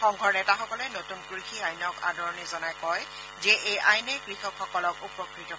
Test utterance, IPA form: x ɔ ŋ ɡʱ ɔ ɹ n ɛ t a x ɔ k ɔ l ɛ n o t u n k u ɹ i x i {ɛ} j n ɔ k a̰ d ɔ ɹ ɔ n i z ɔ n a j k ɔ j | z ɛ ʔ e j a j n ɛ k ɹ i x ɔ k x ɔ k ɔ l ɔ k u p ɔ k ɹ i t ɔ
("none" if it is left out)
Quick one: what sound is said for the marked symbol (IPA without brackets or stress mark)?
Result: a